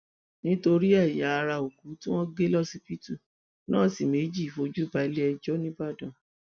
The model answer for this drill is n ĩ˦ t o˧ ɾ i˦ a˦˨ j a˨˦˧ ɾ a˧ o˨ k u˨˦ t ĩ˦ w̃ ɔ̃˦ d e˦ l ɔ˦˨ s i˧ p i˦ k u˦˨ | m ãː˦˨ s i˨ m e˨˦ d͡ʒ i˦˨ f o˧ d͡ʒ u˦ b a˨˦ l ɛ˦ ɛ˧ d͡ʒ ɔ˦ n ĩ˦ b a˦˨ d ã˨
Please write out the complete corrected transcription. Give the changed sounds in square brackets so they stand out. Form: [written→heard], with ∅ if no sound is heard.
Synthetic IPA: n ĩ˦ t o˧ ɾ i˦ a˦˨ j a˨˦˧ ɾ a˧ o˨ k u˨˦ t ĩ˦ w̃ ɔ̃˦ [d→ɡ] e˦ l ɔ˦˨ s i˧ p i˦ [k→t] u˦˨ | [m→n] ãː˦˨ s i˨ m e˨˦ d͡ʒ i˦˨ f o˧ d͡ʒ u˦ b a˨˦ l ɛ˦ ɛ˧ d͡ʒ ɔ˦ n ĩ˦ b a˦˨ d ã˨